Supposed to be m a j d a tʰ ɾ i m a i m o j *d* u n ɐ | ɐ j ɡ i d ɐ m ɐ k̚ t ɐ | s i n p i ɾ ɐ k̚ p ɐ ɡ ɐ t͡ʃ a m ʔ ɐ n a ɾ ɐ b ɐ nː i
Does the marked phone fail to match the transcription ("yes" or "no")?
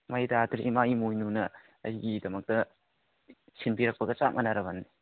yes